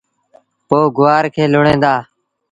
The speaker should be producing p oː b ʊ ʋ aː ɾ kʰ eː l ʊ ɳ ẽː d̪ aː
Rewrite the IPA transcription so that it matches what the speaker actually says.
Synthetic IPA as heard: p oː ɡ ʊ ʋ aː ɾ kʰ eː l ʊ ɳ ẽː d̪ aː